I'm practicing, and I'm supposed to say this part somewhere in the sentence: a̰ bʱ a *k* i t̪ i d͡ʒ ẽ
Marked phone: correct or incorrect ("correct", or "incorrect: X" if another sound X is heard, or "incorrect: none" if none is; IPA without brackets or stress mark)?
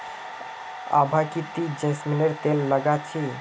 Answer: correct